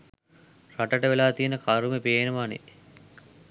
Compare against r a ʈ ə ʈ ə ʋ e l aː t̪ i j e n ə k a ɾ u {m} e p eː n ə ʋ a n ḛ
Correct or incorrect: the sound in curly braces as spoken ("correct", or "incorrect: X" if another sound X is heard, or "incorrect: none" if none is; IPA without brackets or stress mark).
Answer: correct